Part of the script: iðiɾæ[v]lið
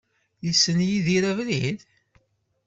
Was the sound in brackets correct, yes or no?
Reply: yes